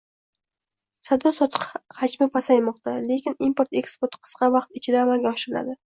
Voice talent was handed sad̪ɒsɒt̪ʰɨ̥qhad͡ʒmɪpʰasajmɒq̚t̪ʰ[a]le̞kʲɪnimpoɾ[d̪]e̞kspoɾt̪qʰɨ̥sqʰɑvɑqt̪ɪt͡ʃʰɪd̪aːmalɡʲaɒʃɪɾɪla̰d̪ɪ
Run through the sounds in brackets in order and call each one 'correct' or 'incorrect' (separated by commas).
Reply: correct, incorrect